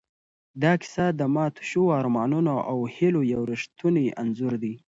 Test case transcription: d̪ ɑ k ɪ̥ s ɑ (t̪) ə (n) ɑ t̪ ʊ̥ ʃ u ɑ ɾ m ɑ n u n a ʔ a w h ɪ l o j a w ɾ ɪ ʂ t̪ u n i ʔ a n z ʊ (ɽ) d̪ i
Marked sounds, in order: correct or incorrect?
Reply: incorrect: d̪, incorrect: m, incorrect: ɾ

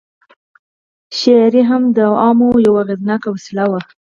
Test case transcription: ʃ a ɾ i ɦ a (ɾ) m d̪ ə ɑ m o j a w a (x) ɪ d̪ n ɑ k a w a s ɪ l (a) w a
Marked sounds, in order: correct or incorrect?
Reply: incorrect: none, incorrect: ɣ, correct

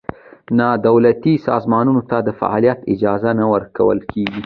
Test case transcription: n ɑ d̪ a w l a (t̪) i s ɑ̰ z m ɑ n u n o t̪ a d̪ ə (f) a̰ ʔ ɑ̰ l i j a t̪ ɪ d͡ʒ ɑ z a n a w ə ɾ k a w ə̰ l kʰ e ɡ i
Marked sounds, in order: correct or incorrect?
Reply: correct, correct

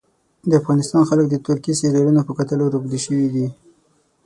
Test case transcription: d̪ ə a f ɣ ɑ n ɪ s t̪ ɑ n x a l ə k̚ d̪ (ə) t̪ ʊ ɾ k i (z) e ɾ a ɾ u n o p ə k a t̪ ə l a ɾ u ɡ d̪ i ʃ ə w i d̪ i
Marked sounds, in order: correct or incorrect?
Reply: correct, incorrect: s

